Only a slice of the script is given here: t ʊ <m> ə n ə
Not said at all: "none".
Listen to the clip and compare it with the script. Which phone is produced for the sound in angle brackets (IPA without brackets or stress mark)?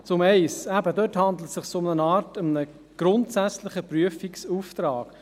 m